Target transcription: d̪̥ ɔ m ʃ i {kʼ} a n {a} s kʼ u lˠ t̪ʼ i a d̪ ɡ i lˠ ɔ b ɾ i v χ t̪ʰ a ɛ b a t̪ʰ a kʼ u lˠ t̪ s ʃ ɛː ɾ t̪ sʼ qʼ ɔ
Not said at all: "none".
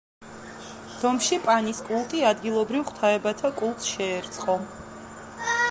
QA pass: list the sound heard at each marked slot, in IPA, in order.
pʼ, i

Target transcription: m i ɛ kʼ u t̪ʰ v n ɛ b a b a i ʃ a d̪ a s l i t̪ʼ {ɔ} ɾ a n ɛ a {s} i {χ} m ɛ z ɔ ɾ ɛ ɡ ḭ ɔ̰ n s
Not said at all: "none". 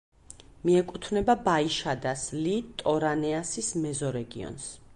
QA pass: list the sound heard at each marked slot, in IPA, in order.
ɔ, s, s

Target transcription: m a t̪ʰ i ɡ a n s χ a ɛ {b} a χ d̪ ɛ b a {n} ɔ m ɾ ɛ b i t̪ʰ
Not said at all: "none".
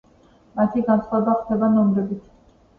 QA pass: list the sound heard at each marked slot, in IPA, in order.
b, n

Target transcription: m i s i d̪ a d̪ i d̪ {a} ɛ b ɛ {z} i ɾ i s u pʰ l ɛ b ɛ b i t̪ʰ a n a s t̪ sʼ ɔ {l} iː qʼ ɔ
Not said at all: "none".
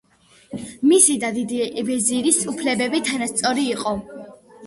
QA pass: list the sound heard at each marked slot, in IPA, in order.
i, z, ɾ

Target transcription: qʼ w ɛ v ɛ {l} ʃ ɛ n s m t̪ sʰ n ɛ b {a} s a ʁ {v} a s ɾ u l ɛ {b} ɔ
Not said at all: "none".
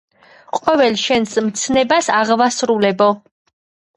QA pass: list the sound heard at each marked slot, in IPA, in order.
l, a, v, b

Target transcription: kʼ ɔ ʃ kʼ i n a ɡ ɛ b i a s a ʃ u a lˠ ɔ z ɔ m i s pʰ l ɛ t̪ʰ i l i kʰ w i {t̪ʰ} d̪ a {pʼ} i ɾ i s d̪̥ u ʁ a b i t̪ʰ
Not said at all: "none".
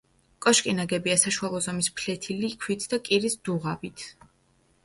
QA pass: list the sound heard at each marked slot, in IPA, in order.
t̪ʰ, kʼ

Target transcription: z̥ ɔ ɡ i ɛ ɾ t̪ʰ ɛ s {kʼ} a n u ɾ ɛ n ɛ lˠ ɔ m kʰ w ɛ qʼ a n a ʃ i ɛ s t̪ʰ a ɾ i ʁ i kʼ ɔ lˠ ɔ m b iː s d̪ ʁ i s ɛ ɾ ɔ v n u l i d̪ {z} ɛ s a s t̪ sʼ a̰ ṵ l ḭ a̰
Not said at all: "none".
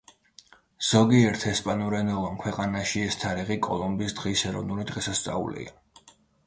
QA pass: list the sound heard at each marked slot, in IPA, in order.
pʼ, ʁ

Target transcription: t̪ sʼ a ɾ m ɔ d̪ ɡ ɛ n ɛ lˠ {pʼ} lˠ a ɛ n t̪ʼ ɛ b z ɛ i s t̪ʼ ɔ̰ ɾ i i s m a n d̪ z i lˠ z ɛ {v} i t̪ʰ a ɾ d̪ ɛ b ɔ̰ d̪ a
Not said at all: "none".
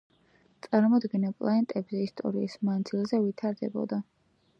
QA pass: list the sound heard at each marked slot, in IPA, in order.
pʼ, v

